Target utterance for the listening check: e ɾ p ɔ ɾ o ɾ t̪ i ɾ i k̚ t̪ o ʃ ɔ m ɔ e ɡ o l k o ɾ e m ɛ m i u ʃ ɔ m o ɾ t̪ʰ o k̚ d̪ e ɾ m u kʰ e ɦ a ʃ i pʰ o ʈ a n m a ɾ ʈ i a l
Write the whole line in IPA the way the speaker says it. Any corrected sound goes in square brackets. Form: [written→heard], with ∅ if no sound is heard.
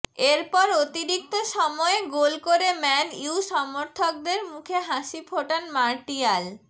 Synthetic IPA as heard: e ɾ p ɔ ɾ o [ɾ→∅] t̪ i ɾ i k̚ t̪ o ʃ ɔ m ɔ e ɡ o l k o ɾ e m ɛ [m→n] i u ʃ ɔ m o ɾ t̪ʰ o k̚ d̪ e ɾ m u kʰ e ɦ a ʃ i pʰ o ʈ a n m a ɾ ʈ i a l